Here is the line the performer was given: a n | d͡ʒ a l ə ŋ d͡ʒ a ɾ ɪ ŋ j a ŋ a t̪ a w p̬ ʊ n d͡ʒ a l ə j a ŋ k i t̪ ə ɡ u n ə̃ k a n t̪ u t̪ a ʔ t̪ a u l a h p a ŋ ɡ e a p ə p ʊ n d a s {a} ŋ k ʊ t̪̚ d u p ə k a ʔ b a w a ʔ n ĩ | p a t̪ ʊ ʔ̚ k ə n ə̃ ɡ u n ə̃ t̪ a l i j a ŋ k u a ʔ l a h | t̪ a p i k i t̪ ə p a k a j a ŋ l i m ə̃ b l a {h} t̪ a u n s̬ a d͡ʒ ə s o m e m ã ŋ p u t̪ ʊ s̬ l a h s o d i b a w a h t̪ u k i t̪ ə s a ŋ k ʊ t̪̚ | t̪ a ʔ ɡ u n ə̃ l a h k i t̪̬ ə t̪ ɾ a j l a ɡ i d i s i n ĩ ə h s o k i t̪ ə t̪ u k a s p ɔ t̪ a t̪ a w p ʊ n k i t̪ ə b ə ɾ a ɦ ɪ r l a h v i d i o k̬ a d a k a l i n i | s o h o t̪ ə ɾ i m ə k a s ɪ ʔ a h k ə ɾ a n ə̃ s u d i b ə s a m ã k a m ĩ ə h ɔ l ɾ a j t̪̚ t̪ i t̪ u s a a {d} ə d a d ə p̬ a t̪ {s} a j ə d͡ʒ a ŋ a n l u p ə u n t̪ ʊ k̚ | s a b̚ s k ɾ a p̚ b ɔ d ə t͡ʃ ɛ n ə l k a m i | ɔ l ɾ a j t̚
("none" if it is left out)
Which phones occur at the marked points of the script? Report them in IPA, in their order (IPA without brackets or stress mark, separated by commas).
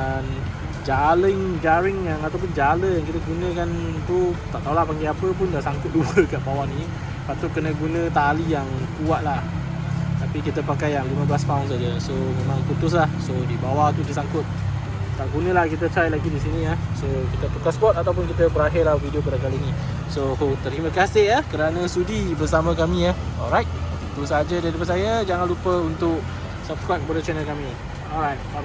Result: a, s, d͡ʒ, s